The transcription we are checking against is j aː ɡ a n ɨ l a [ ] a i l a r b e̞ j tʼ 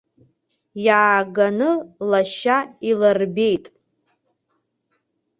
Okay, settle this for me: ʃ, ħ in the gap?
ʃ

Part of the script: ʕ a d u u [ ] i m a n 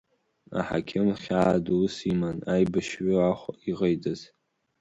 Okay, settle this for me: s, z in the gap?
s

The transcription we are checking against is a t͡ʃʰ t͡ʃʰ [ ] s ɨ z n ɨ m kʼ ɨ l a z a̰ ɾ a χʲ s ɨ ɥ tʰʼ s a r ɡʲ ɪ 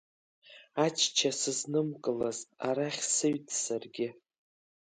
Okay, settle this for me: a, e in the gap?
a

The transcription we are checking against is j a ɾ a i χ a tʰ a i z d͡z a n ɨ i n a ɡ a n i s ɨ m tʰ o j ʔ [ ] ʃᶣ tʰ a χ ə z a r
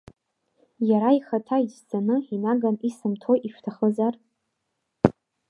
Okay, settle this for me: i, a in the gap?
i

